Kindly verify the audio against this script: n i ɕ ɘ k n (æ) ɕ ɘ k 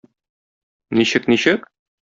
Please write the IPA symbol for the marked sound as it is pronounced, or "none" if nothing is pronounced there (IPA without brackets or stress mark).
i